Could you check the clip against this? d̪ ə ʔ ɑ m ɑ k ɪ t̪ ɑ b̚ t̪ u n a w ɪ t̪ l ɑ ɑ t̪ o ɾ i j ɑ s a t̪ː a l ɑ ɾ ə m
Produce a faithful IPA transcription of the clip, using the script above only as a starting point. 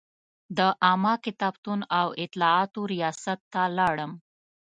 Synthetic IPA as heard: d̪ ə ʔ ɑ m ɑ k ɪ t̪ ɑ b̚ t̪ u n a w ɪ t̪ l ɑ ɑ t̪ o ɾ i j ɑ s a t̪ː a l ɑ ɽ ə m